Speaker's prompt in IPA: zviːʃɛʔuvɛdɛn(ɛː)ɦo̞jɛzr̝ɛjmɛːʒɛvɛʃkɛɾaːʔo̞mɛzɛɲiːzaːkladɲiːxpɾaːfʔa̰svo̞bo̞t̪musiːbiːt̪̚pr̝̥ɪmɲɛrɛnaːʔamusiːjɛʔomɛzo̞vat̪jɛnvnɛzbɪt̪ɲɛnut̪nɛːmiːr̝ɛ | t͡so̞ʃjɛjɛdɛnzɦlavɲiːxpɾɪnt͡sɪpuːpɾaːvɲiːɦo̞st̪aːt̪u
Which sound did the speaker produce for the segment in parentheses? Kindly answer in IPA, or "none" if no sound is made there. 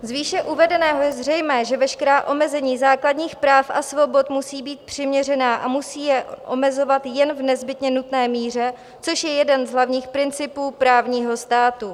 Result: ɛː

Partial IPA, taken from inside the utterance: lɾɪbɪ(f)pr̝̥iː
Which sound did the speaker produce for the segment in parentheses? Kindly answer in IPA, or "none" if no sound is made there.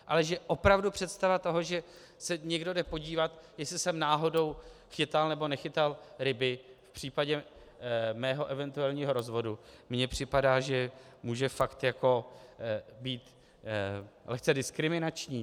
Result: f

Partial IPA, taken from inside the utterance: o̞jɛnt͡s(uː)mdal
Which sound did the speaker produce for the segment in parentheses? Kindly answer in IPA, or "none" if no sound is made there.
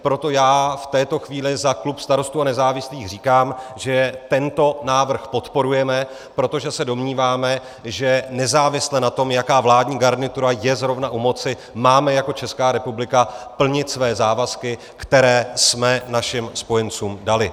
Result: uː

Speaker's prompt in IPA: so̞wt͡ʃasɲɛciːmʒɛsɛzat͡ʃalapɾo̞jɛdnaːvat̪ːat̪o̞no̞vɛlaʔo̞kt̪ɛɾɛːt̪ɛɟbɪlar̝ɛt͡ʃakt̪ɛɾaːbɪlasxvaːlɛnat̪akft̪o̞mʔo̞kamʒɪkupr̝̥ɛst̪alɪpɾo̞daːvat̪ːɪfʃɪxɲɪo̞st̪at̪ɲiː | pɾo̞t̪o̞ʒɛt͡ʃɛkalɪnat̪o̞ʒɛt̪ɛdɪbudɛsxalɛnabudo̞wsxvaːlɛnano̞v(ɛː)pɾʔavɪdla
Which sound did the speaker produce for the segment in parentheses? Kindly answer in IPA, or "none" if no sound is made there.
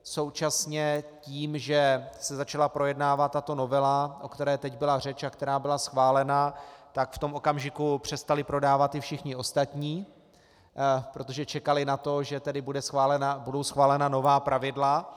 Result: aː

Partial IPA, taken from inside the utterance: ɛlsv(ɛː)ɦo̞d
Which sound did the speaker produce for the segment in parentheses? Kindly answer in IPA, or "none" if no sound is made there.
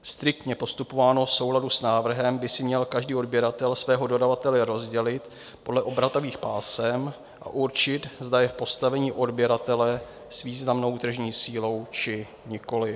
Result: ɛː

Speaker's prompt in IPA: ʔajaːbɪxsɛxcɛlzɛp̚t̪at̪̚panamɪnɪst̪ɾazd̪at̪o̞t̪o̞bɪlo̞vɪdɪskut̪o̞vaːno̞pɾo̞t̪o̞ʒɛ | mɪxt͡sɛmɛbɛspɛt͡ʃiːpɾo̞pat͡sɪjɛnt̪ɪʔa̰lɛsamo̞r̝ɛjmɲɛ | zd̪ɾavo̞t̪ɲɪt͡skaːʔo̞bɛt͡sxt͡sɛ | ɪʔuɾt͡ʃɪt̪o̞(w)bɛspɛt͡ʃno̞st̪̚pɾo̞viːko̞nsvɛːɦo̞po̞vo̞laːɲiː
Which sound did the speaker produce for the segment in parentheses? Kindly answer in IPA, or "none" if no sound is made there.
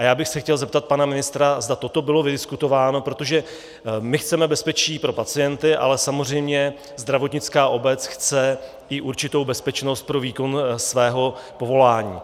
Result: w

